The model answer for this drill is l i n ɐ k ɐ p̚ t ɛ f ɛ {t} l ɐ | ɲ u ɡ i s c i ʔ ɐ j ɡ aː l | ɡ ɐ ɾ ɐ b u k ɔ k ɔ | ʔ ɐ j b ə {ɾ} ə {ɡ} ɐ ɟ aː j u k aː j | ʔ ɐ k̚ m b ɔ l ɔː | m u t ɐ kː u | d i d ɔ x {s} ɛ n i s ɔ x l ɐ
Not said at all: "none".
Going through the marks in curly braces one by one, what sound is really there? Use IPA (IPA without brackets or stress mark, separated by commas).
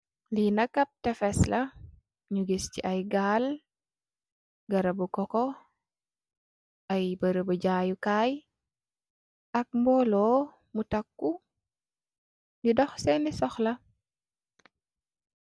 s, ɾ, b, s